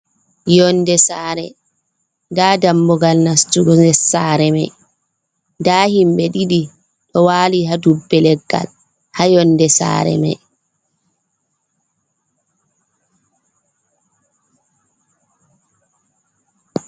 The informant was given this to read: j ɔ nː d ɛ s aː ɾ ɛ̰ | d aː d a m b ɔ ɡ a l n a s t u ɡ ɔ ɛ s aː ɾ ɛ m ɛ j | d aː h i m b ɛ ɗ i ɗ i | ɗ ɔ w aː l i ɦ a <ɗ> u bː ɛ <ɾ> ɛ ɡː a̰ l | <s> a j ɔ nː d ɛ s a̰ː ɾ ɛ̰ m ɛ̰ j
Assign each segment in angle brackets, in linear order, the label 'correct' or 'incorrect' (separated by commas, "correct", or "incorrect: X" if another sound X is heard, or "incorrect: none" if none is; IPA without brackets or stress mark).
incorrect: d, incorrect: l, incorrect: h